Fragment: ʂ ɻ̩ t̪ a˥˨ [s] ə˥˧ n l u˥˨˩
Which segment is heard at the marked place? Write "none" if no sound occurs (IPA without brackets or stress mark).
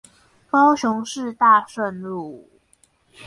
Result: ʂ